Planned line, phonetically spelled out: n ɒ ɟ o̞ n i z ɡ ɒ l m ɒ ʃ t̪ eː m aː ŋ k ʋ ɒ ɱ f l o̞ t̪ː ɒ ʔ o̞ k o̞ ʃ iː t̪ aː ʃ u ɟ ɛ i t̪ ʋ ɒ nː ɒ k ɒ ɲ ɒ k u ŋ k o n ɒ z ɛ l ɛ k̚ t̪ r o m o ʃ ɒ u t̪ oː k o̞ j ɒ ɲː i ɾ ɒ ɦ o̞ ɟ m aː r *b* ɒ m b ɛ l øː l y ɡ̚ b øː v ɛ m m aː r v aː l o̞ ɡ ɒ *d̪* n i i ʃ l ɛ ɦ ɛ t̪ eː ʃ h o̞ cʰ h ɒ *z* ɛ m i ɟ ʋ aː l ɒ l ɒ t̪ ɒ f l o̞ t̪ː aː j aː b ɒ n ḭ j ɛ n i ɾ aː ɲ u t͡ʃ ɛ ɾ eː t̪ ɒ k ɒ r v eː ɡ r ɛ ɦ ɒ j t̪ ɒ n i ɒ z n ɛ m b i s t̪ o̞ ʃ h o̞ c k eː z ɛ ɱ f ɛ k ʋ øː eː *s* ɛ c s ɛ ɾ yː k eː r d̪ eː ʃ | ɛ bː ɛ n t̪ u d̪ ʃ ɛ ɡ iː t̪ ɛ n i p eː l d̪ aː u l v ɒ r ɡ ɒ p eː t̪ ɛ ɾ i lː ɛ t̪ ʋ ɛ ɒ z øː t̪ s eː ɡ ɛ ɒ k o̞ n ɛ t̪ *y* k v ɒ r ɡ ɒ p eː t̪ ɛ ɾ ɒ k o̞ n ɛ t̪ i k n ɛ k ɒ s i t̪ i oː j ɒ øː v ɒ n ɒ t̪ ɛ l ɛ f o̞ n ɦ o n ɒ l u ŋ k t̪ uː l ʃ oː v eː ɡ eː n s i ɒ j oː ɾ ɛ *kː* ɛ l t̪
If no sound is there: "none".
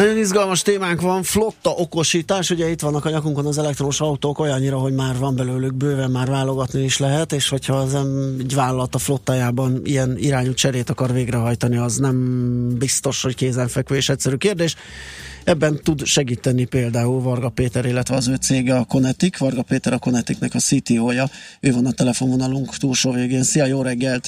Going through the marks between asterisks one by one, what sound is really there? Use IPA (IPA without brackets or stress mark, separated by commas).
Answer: v, t̪, z, ʃ, i, ɡː